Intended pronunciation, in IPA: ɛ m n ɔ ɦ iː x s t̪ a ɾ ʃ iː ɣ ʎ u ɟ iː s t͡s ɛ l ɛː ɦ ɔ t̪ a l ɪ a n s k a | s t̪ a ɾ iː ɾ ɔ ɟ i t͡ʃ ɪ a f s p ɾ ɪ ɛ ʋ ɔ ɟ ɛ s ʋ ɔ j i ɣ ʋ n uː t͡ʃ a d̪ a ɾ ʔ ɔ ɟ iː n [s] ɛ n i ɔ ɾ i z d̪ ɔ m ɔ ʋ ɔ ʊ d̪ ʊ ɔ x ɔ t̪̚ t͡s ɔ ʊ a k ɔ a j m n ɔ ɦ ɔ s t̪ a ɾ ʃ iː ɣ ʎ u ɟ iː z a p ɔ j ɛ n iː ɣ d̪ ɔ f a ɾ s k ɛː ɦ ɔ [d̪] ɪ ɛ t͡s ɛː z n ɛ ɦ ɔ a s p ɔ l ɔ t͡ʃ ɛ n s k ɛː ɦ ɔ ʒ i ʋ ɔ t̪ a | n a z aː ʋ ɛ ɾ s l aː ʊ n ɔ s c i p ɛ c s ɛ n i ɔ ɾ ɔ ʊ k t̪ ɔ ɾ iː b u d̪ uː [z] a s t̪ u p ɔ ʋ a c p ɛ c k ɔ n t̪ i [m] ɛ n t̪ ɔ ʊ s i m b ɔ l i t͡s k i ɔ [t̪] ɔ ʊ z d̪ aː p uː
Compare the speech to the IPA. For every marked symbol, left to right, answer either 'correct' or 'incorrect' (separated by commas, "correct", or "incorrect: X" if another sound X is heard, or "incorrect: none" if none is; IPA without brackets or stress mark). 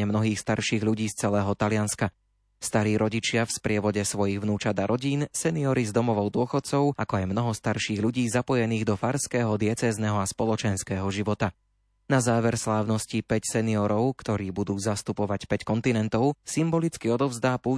correct, correct, correct, incorrect: n, incorrect: d̪